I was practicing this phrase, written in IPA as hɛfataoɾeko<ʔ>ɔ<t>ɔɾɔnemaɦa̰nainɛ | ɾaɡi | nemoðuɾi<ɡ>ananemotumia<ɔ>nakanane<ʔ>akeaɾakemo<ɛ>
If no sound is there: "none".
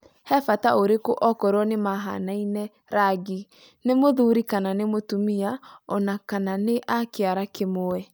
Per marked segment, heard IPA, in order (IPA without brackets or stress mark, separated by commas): ʔ, k, k, ɔ, ʔ, ɛ